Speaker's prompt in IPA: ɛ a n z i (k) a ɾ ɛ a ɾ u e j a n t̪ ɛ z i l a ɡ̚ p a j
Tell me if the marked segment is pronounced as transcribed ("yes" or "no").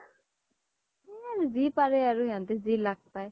no